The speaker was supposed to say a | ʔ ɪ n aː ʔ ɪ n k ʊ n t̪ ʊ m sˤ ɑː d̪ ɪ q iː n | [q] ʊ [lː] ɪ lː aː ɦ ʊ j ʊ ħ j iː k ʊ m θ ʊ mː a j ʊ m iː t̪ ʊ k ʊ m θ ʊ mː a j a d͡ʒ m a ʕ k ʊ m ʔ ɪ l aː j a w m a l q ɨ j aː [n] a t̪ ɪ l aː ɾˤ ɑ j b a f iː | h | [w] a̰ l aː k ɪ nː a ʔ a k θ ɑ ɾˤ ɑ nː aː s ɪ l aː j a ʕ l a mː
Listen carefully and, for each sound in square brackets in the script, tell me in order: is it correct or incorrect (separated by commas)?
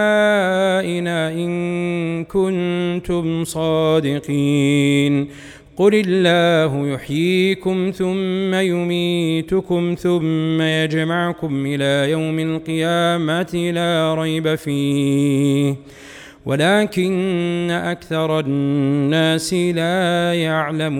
correct, incorrect, incorrect, correct